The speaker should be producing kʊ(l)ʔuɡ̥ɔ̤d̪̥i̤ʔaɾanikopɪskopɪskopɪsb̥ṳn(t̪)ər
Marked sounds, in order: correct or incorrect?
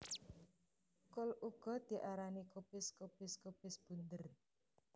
correct, incorrect

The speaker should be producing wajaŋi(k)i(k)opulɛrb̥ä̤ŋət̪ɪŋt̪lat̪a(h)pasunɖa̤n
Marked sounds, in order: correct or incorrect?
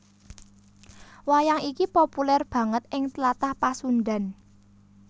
correct, incorrect, correct

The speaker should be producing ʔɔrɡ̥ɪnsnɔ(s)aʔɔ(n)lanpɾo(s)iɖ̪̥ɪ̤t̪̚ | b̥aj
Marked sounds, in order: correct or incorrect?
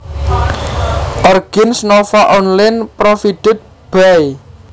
incorrect, correct, incorrect

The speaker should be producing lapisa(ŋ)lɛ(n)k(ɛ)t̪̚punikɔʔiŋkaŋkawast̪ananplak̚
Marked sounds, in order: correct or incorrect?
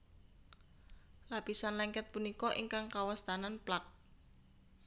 incorrect, incorrect, correct

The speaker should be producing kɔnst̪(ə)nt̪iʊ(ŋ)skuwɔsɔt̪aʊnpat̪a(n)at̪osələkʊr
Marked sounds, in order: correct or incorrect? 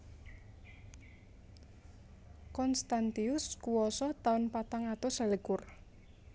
incorrect, incorrect, incorrect

